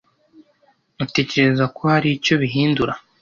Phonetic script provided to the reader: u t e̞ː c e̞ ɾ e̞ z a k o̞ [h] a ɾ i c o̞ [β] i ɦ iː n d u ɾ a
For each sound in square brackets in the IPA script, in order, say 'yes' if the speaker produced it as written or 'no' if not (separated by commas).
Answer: yes, yes